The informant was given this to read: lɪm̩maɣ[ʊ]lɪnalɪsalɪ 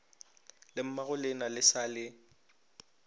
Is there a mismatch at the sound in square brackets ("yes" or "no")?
no